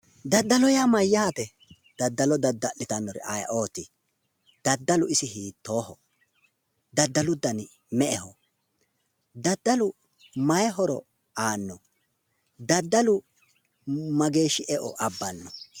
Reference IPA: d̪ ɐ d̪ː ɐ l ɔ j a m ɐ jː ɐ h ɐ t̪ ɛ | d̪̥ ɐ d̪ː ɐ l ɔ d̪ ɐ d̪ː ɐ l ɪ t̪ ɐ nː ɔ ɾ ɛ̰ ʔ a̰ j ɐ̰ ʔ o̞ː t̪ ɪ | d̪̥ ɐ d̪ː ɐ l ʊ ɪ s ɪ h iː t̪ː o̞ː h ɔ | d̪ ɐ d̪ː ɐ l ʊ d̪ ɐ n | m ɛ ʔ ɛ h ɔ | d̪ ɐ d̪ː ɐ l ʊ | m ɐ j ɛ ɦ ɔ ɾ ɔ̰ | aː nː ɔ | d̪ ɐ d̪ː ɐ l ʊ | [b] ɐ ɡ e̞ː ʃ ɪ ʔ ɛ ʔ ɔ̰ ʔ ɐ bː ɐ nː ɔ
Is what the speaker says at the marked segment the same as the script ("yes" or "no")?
no